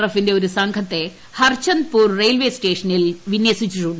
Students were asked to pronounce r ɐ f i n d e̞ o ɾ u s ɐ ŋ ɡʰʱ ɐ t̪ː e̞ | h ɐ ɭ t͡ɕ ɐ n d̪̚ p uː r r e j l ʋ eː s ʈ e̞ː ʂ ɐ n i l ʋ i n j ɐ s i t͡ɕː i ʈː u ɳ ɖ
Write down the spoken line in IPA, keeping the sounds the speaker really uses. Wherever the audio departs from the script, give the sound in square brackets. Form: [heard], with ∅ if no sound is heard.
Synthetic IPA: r ɐ f i n d e̞ o ɾ u s ɐ ŋ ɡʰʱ ɐ t̪ː e̞ | h ɐ [r] t͡ɕ ɐ n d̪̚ p uː r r e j l ʋ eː s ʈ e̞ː ʂ ɐ n i l ʋ i n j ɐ s i t͡ɕː i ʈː u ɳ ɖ